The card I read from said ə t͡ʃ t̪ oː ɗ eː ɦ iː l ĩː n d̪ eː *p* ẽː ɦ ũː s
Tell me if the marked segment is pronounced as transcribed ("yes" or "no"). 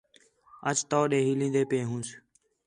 yes